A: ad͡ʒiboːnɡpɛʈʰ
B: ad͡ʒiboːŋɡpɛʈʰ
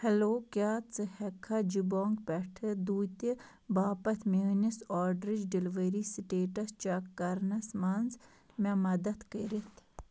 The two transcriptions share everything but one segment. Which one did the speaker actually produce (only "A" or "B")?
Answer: B